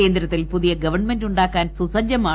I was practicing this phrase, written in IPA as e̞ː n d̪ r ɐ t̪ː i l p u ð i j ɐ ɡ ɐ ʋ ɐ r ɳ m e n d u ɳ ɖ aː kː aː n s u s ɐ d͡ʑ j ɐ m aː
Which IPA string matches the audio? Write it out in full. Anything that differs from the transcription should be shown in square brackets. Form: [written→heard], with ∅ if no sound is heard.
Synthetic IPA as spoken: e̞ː n d̪ [r→ɾ] ɐ t̪ː i l p u ð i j ɐ ɡ ɐ ʋ ɐ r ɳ m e n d u ɳ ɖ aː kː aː n s u s ɐ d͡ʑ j ɐ m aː

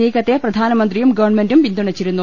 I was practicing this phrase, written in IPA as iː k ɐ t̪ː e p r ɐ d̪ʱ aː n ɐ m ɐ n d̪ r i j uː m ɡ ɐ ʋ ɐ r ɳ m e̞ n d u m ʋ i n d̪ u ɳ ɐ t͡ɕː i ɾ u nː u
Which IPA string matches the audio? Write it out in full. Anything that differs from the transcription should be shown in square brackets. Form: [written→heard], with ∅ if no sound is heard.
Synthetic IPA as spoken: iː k ɐ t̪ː e p r ɐ d̪ʱ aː n ɐ m ɐ n d̪ r i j [uː→u] m ɡ ɐ ʋ ɐ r ɳ m e̞ n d u m ʋ i n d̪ u ɳ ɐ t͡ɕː i ɾ u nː u

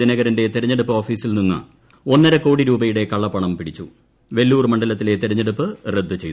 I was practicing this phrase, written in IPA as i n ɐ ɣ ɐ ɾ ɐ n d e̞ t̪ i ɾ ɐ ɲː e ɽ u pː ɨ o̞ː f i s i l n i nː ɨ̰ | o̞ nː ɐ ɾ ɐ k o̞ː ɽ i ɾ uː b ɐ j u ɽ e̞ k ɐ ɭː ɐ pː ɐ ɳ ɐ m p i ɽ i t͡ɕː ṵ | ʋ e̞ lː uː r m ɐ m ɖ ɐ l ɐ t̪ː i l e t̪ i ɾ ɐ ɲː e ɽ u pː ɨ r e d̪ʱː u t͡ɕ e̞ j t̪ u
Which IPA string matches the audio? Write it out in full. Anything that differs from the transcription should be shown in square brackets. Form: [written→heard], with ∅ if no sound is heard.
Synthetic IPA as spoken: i n ɐ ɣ ɐ ɾ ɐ n d e̞ t̪ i ɾ ɐ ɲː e ɽ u pː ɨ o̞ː f [i→iː] s i l n i nː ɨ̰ | o̞ nː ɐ ɾ ɐ k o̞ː ɽ i ɾ uː b ɐ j u ɽ e̞ k ɐ ɭː ɐ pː ɐ ɳ ɐ m p i ɽ i t͡ɕː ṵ | ʋ e̞ lː uː r m ɐ [m→ɳ] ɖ ɐ l ɐ t̪ː i l e t̪ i ɾ ɐ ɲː e ɽ u pː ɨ r e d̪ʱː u t͡ɕ e̞ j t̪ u

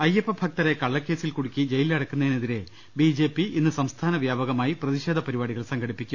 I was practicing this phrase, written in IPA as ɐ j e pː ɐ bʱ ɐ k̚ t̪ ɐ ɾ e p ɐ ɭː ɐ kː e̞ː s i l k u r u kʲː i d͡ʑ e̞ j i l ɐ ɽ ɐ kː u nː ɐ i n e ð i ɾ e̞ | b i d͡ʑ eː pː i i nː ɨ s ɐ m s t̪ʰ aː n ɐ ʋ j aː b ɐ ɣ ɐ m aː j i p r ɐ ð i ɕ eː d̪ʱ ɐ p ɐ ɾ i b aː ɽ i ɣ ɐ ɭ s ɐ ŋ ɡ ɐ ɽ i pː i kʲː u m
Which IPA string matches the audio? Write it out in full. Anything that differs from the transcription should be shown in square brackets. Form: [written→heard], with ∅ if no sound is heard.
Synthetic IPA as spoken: ɐ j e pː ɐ bʱ ɐ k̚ t̪ ɐ ɾ e [p→k] ɐ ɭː ɐ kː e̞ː s i l k u [r→ɽ] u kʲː i d͡ʑ e̞ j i l ɐ ɽ ɐ kː u nː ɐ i n e ð i ɾ e̞ | b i d͡ʑ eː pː i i nː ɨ s ɐ m s t̪ʰ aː n ɐ ʋ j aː b ɐ ɣ ɐ m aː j i p r ɐ ð i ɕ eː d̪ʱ ɐ p ɐ ɾ i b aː ɽ i ɣ ɐ ɭ s ɐ ŋ ɡ ɐ ɽ i pː i kʲː u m

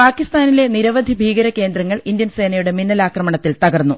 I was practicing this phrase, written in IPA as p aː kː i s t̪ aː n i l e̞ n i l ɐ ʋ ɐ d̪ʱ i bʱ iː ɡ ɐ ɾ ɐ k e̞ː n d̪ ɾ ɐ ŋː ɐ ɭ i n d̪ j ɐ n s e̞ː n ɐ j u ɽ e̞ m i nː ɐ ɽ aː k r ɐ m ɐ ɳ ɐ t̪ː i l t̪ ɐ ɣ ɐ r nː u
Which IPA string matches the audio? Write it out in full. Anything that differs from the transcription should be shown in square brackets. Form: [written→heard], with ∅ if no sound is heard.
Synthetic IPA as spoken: p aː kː i s t̪ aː n i l e̞ n i [l→ɾ] ɐ ʋ ɐ d̪ʱ i bʱ iː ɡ ɐ ɾ ɐ k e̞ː n d̪ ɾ ɐ ŋː ɐ ɭ i n d̪ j ɐ n s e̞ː n ɐ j u ɽ e̞ m i nː ɐ [ɽ→l] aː k r ɐ m ɐ ɳ ɐ t̪ː i l t̪ ɐ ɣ ɐ r nː u

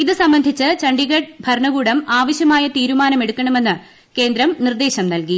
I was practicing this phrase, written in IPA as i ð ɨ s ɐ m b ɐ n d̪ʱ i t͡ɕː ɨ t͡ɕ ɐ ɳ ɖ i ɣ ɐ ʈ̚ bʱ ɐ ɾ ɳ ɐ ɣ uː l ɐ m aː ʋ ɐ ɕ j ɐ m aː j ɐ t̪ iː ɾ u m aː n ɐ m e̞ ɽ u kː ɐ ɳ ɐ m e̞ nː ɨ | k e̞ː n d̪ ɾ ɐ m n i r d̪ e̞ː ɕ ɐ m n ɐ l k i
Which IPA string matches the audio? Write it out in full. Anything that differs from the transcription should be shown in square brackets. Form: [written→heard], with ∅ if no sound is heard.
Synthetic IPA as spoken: i ð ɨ s ɐ m b ɐ n d̪ʱ i t͡ɕː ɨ t͡ɕ ɐ ɳ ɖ i ɣ ɐ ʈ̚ bʱ ɐ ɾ ɳ ɐ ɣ uː [l→ɽ] ɐ m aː ʋ ɐ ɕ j ɐ m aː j ɐ t̪ iː ɾ u m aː n ɐ m e̞ ɽ u kː ɐ ɳ ɐ m e̞ nː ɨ | k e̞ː n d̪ ɾ ɐ m n i r d̪ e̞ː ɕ ɐ m n ɐ l k i

